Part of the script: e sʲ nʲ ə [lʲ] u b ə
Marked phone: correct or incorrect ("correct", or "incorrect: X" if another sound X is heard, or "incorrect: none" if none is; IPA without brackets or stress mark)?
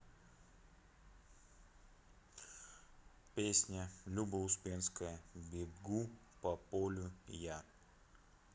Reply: correct